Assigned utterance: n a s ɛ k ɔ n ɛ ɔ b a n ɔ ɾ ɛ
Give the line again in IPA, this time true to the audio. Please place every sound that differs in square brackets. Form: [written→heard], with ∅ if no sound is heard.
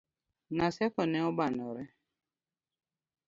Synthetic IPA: n a s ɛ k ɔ n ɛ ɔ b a n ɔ ɾ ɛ